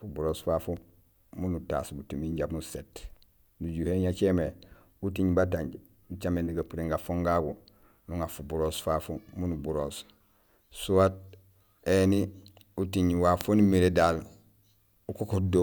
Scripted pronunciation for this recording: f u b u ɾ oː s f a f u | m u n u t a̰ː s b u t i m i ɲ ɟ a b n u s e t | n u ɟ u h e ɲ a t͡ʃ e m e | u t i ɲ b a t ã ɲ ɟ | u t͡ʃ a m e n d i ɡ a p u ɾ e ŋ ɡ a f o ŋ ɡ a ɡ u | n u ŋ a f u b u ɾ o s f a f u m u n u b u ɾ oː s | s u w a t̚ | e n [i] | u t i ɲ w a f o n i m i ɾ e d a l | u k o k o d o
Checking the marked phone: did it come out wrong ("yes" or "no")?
no